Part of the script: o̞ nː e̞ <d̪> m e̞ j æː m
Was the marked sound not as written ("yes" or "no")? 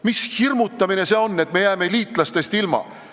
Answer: yes